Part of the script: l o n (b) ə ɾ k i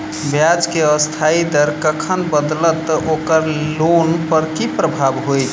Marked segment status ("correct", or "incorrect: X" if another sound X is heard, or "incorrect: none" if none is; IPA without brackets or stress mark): incorrect: p